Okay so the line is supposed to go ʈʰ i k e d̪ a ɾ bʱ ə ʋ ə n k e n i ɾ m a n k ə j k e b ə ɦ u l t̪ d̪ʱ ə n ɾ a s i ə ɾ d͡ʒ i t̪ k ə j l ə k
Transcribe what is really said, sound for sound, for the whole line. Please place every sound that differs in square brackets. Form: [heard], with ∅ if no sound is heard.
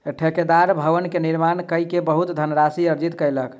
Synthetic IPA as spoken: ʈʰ [e] k e d̪ a ɾ bʱ ə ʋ ə n k e n i ɾ m a n k ə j k e b ə ɦ u [∅] t̪ d̪ʱ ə n ɾ a s i ə ɾ d͡ʒ i t̪ k ə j l ə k